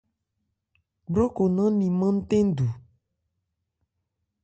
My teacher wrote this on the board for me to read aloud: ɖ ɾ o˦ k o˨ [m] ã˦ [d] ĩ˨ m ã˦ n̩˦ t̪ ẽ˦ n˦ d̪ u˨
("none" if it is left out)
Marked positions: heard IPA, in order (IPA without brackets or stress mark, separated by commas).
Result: n, n